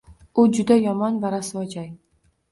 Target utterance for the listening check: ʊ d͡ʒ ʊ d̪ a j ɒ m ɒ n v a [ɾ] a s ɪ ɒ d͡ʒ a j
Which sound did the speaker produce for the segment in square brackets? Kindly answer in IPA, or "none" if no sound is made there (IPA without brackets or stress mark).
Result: ɾ